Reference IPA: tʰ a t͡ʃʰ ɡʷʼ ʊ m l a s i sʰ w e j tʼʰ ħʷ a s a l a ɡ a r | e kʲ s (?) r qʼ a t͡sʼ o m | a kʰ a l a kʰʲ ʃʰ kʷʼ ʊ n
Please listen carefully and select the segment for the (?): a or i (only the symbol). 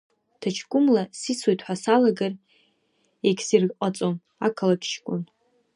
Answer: i